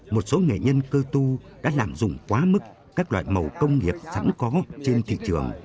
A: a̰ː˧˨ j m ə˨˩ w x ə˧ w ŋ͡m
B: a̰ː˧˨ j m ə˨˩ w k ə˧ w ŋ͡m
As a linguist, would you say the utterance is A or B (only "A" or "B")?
B